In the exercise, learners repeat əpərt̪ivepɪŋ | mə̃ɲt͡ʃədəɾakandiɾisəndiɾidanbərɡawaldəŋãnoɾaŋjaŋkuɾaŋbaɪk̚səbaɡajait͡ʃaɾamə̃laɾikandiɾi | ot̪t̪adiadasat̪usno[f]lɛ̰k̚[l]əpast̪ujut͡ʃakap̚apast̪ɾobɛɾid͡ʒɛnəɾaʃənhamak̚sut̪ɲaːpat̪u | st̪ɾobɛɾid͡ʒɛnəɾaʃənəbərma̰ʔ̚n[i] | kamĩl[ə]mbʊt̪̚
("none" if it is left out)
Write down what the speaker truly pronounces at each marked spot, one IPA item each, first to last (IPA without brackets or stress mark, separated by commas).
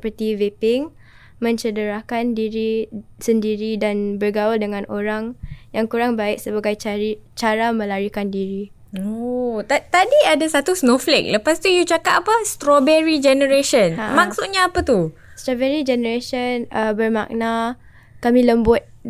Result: f, l, a, ə